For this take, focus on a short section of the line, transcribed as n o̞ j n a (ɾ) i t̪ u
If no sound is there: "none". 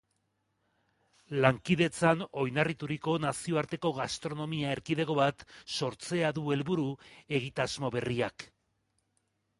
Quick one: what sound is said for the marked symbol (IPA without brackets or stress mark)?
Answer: r